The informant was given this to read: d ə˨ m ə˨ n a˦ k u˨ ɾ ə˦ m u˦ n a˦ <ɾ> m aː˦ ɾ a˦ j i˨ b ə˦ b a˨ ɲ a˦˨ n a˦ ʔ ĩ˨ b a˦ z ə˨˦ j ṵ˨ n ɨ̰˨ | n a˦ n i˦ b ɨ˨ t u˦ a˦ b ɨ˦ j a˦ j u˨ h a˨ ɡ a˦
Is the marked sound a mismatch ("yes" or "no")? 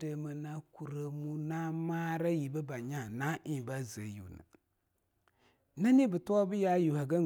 yes